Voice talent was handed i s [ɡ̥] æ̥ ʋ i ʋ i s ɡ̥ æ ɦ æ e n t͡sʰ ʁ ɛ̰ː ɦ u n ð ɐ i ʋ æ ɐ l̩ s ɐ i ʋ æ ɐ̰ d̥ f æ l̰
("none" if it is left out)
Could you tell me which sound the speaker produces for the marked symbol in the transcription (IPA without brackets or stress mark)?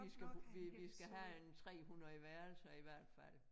ɡ̥